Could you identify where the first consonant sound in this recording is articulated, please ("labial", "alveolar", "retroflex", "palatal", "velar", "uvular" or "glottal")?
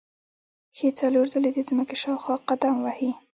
velar